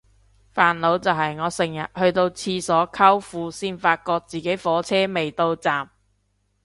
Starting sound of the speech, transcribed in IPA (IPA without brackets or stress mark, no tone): f